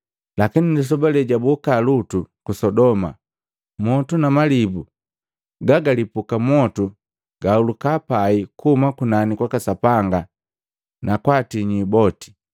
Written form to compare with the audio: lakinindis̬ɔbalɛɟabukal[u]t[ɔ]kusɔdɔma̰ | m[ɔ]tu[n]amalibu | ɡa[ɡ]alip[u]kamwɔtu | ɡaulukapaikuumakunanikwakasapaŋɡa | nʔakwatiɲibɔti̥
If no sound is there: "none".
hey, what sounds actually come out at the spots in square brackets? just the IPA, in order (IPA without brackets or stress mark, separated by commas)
u, u, ɔ, n, ɡ, u